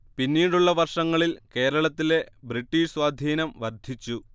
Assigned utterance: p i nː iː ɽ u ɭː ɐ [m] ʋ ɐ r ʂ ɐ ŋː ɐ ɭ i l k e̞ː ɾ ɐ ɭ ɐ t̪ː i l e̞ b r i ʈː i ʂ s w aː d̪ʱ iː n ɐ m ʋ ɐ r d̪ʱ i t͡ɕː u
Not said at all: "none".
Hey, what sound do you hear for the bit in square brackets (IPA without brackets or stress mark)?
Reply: none